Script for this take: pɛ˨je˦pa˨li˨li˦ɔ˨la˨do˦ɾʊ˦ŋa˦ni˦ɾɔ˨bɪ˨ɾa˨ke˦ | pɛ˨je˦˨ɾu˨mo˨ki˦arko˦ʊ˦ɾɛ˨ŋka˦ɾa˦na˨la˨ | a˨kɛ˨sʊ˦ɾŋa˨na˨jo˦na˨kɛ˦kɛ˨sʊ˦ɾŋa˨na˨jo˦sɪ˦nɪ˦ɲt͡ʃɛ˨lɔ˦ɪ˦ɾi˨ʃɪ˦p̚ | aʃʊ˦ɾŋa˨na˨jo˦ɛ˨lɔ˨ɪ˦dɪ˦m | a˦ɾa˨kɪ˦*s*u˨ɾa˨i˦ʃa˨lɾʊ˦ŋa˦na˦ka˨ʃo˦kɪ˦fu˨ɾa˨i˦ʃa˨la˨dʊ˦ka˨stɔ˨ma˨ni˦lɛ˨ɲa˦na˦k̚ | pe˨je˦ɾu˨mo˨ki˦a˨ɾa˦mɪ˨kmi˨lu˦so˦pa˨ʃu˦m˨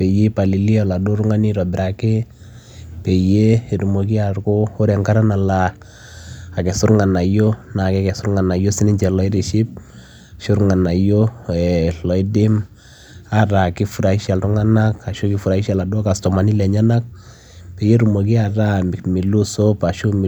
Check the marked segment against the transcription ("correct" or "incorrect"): incorrect